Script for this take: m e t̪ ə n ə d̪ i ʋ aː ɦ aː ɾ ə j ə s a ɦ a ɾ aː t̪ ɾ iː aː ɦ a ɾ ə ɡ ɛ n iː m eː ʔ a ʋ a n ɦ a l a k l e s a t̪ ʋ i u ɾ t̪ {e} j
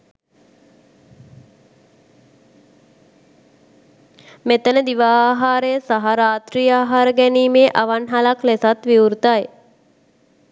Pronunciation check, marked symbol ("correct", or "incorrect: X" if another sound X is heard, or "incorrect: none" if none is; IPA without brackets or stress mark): incorrect: a